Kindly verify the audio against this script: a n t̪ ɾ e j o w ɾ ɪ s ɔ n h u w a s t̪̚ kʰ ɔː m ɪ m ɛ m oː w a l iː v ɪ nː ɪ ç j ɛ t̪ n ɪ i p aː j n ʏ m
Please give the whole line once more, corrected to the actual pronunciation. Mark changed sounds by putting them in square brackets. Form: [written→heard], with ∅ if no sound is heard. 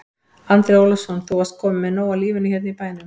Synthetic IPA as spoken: a n t̪ ɾ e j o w [ɾ→l] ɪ s ɔ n [h→θ] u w a s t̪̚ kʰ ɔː m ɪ m ɛ [m→n] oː w a l iː v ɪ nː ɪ ç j ɛ t̪ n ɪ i p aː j n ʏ m